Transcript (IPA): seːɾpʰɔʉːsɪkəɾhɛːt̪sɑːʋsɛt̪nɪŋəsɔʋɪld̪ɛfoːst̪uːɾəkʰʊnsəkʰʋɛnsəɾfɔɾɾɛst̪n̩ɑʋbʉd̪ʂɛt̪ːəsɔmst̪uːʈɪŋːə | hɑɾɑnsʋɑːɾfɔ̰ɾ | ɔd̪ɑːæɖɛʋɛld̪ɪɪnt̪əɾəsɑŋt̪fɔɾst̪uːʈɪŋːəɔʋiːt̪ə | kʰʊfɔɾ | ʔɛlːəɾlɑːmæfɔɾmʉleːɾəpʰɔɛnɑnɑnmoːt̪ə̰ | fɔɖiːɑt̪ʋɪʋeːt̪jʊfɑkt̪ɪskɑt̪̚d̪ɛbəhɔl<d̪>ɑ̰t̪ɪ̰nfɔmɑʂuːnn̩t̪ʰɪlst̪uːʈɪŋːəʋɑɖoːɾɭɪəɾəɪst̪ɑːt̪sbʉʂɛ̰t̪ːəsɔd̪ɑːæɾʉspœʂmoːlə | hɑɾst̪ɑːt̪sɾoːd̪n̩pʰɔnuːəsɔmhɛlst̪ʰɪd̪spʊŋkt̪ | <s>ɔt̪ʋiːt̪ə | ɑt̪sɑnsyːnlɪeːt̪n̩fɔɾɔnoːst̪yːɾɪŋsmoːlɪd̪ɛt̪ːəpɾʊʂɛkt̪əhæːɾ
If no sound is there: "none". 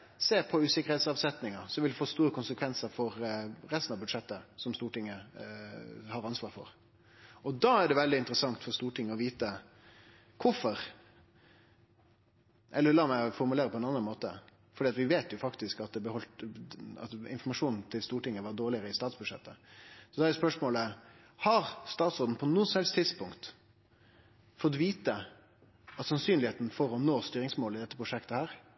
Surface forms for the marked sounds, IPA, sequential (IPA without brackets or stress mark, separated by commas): t̪, f